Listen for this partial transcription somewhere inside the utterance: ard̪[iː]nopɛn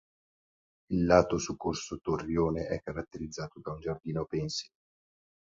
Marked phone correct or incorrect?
correct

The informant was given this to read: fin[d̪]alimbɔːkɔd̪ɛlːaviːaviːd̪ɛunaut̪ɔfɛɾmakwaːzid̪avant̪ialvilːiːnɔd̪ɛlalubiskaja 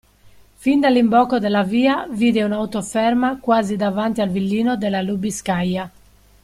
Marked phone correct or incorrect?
correct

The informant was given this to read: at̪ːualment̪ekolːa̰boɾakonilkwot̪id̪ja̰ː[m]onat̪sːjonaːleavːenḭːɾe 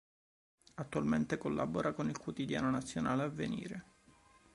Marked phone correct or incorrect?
incorrect: n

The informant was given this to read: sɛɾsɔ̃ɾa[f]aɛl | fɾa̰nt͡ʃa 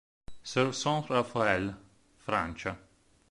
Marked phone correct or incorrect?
correct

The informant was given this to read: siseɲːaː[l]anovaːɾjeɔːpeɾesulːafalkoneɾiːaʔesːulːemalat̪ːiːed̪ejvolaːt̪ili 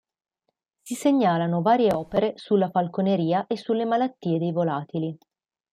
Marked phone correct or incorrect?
correct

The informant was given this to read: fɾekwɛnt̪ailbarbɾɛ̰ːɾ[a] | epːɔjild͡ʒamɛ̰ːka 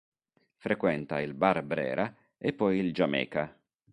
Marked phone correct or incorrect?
correct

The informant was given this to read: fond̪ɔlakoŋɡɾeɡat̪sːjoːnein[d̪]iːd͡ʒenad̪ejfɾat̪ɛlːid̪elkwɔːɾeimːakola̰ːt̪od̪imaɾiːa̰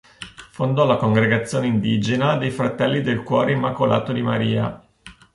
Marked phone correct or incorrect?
correct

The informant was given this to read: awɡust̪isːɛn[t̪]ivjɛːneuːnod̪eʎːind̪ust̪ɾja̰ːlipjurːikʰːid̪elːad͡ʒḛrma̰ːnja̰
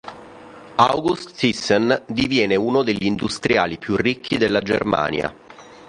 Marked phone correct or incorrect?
incorrect: d̪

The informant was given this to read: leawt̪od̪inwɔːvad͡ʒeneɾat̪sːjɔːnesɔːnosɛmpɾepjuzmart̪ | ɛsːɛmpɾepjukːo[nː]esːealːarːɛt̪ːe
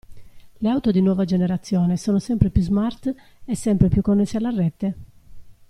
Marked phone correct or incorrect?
correct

